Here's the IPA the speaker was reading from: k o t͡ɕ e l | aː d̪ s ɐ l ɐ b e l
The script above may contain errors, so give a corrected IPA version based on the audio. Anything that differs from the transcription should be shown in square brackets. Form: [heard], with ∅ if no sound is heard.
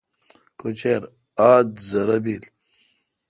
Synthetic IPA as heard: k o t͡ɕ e [ɾ] | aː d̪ [z] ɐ [ɾ] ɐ b [i] l